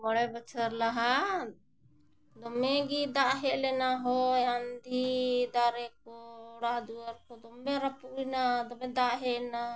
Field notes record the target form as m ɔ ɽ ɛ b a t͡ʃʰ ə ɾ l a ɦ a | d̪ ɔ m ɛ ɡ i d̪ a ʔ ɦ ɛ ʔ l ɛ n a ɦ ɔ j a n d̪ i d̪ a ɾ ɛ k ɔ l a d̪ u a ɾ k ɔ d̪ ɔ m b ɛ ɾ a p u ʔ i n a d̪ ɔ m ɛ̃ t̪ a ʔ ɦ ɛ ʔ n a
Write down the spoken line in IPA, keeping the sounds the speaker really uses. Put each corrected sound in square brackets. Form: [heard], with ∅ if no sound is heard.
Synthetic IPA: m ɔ ɽ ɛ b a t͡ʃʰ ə ɾ l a ɦ a | d̪ ɔ m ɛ ɡ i d̪ a ʔ ɦ ɛ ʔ l ɛ n a ɦ ɔ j a n d̪ i d̪ a ɾ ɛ k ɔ [ɽ] a d̪ u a ɾ k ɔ d̪ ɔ m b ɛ ɾ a p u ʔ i n a d̪ ɔ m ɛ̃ [d̪] a ʔ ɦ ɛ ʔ n a